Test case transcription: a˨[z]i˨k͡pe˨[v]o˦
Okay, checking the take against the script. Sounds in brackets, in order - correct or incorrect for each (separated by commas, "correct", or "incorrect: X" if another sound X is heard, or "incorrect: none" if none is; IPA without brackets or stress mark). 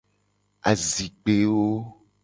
correct, incorrect: w